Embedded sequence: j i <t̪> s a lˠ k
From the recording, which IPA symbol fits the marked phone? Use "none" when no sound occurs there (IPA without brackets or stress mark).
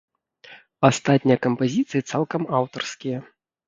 t̪